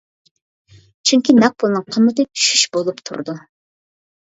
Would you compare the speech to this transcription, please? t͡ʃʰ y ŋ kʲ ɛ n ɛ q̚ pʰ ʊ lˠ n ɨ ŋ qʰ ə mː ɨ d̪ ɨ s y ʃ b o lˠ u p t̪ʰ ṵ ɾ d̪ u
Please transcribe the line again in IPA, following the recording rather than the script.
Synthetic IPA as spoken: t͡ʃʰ y ŋ kʲ i n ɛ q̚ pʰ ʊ lˠ n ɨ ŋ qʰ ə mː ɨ t̪ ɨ ʃ y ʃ b o lˠ u p t̪ʰ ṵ ɾ d̪ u